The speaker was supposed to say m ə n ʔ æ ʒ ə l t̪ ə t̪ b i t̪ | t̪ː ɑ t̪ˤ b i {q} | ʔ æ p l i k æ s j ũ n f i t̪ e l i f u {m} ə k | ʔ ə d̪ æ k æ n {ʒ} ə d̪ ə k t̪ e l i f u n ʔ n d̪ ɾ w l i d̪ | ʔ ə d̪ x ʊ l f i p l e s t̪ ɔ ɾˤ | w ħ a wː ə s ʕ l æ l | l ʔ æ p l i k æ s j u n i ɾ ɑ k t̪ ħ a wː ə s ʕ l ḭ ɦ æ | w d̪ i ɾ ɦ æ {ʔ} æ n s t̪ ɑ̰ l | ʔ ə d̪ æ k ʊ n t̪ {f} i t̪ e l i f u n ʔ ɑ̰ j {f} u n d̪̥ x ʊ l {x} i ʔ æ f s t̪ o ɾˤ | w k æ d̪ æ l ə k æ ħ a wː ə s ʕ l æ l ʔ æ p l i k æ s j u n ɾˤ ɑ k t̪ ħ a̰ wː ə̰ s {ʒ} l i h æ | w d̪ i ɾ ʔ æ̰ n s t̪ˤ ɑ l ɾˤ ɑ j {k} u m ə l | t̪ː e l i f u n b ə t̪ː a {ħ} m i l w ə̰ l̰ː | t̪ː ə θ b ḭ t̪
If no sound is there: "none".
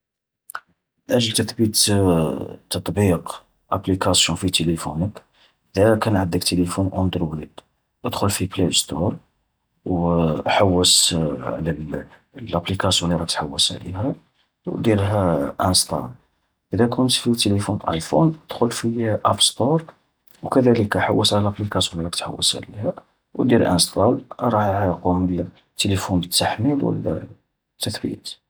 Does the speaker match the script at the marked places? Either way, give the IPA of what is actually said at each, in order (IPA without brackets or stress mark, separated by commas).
q, n, ʕ, ʔ, f, f, f, ʕ, q, ħ